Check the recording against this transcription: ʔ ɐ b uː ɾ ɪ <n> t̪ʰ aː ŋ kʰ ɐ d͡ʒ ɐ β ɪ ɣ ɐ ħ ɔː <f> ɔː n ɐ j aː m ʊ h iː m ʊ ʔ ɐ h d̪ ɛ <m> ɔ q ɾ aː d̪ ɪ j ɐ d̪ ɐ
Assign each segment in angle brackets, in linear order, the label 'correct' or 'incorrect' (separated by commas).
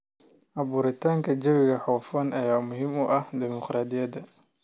incorrect, correct, correct